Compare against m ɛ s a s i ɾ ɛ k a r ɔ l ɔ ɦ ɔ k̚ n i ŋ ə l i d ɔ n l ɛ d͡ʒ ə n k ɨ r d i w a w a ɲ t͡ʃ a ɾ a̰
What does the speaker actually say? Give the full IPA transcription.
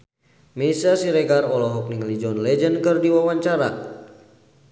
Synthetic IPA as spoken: m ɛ s a s i ɾ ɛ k a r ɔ l ɔ ɦ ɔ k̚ n i ŋ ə l i d͡ʒ ɔ n l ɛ d͡ʒ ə n k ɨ r d i w a w a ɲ t͡ʃ a ɾ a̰